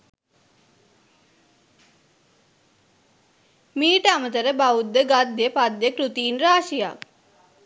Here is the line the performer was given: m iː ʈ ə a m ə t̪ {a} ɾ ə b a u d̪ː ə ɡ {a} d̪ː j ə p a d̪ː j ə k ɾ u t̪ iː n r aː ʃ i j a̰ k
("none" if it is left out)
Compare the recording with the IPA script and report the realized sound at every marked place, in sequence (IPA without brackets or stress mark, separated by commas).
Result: ə, a